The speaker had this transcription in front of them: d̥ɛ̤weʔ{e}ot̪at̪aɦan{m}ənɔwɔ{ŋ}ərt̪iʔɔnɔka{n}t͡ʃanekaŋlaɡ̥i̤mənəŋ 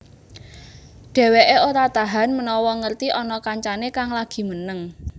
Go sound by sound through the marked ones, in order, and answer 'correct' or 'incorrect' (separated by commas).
correct, correct, correct, incorrect